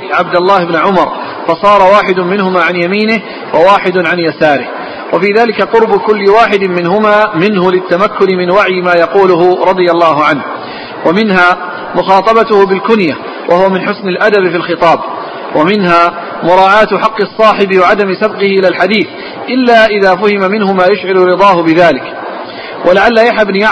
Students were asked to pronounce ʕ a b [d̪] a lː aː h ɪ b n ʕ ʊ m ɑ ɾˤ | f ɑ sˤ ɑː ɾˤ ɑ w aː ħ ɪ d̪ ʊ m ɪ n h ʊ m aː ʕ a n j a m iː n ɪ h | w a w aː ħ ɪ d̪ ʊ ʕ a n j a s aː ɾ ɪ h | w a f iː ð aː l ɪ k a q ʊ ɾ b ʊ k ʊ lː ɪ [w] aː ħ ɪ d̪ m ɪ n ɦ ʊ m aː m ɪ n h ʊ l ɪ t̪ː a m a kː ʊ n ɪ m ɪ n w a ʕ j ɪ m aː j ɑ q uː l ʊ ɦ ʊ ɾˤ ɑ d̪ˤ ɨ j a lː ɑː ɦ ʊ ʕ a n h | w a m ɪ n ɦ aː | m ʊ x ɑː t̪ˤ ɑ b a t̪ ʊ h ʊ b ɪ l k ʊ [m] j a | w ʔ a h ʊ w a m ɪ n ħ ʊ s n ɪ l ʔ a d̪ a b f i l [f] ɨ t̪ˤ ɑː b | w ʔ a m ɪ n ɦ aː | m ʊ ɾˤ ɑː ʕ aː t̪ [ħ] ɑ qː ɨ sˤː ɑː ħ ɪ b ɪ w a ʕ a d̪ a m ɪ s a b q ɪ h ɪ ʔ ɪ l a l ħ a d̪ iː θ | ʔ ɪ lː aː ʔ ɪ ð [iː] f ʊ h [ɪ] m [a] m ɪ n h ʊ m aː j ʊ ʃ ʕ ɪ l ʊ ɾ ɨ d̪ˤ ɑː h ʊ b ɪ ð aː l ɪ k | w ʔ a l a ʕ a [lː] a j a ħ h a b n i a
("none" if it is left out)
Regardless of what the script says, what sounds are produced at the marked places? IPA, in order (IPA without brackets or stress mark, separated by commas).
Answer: d̪, w, n, x, ħ, aː, ɪ, a, lː